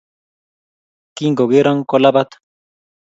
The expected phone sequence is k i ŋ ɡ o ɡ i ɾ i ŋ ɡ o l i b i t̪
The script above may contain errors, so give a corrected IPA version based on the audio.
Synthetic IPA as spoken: k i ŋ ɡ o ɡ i ɾ a ŋ k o l a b a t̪